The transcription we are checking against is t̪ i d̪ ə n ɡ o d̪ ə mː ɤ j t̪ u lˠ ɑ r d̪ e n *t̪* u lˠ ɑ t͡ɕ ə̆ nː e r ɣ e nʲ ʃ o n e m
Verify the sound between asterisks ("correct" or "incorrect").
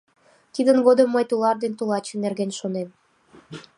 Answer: correct